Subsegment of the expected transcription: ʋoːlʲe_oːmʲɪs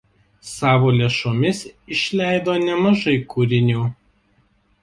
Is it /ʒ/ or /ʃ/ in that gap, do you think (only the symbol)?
ʃ